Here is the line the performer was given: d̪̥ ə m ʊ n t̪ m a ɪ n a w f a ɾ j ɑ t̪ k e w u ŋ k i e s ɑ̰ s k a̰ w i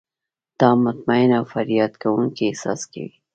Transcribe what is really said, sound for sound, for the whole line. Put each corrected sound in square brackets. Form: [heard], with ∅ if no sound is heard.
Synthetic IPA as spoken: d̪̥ [ɑ] m ʊ [∅] t̪ m a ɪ n a w f a ɾ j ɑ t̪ k [a] w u ŋ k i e s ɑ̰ s k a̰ w i